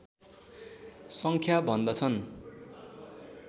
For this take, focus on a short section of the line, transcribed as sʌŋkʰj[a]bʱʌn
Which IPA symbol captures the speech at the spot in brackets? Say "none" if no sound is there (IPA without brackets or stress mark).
a